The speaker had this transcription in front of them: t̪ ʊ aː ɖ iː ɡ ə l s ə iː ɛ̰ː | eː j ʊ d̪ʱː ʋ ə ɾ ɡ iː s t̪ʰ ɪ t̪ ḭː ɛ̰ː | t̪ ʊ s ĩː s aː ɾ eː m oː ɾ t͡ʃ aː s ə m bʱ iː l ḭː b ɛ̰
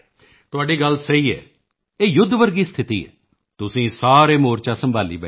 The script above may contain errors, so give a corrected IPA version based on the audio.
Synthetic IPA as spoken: t̪ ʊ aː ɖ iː ɡ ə l s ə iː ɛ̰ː | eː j ʊ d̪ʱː ʋ ə ɾ ɡ iː s t̪ʰ ɪ t̪ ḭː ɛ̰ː | t̪ ʊ s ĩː s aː ɾ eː m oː ɾ t͡ʃ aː s ə m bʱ aː l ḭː b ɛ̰